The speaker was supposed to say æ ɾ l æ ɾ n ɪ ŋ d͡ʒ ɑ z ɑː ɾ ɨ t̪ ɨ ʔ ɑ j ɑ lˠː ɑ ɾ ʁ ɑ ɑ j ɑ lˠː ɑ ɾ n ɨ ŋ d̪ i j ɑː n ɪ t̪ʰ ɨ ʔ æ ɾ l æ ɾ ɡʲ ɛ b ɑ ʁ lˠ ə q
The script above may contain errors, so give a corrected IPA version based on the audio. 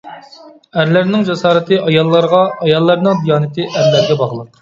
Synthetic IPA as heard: æ ɾ l æ ɾ n ɪ ŋ d͡ʒ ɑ s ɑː ɾ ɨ t̪ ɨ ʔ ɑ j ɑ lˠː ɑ ɾ ʁ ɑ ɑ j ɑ lˠː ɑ ɾ n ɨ ŋ d̪ i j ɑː n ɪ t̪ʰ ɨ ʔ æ ɾ l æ ɾ ɡʲ ɛ b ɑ ʁ lˠ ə q